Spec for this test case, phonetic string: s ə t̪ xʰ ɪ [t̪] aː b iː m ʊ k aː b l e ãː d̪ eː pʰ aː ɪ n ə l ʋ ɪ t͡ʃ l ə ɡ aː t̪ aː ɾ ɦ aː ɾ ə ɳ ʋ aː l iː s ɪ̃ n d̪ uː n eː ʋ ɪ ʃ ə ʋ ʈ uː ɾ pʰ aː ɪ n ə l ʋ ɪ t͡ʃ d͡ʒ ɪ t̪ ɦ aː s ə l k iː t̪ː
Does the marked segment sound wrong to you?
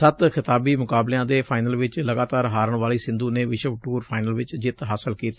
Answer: no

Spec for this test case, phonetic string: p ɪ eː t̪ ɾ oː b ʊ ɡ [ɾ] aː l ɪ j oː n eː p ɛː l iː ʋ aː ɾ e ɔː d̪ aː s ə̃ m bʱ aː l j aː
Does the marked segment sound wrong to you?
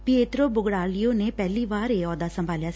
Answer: yes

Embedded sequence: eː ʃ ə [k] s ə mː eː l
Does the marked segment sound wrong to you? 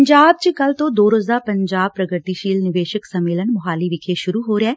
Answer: no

